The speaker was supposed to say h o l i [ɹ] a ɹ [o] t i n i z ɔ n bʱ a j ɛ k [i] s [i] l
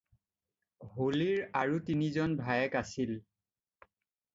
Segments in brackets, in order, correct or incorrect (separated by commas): correct, incorrect, incorrect, correct